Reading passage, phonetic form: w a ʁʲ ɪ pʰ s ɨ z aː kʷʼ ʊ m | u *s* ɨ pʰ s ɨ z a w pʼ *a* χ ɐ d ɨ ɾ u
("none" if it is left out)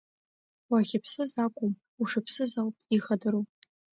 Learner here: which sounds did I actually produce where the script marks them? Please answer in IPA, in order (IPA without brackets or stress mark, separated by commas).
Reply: ʂ, i